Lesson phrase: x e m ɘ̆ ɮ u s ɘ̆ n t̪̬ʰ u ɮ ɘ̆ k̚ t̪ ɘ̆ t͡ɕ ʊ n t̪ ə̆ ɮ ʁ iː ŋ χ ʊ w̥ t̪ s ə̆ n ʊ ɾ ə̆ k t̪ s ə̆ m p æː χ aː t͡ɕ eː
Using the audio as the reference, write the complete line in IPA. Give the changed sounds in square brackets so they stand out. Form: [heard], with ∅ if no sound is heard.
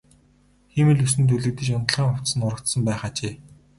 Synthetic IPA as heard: x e m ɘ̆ ɮ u s ɘ̆ n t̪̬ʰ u ɮ ɘ̆ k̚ t̪ ɘ̆ t͡ɕ ʊ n t̪ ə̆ ɮ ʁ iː ŋ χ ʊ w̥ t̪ s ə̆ n ʊ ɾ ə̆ k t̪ s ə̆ m p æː χ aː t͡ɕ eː